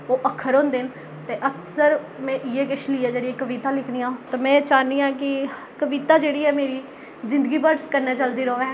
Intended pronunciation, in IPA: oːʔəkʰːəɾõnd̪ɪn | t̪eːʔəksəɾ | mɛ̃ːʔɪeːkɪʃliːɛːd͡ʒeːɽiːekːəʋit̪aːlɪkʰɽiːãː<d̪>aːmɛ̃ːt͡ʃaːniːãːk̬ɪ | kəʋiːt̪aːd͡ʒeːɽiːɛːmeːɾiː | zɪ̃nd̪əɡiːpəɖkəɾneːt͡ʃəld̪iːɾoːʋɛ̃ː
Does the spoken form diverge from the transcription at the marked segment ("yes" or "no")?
yes